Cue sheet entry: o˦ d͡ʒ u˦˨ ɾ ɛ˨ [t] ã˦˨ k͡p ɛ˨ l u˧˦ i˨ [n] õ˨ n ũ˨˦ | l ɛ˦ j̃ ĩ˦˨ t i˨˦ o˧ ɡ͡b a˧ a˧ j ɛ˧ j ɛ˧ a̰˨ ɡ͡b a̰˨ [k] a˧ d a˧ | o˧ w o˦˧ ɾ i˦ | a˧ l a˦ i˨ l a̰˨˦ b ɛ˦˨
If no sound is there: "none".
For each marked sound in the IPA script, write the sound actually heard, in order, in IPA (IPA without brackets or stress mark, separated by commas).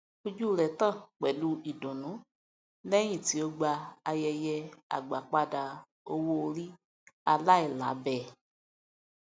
t, d, k͡p